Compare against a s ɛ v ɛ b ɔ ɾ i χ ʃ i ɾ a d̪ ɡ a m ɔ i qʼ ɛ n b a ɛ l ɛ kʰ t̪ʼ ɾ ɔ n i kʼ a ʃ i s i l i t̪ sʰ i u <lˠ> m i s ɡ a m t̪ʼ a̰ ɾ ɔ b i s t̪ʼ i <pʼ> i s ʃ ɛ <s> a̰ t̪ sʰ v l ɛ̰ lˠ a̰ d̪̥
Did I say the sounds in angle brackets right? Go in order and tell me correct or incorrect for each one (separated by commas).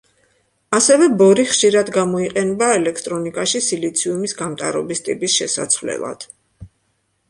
incorrect, correct, correct